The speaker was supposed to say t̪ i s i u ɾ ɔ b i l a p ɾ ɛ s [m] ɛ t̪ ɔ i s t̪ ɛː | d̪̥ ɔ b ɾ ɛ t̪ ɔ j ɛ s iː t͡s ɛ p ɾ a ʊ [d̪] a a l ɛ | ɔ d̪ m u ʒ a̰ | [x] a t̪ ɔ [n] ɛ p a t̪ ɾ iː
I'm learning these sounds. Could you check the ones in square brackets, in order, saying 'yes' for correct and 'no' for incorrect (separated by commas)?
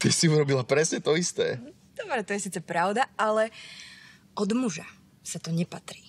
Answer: no, yes, no, no